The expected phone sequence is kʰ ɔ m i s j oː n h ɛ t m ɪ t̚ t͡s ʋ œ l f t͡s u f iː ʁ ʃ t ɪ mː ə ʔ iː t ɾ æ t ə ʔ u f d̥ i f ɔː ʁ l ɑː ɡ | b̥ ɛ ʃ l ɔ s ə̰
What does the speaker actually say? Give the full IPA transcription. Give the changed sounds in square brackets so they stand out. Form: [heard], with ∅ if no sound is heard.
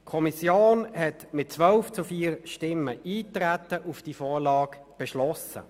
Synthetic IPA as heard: kʰ ɔ m i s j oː n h ɛ t m ɪ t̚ t͡s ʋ œ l f t͡s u f iː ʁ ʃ t ɪ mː ə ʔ iː t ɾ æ t ə ʔ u f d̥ i f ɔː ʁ l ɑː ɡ | b̥ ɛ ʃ l ɔ s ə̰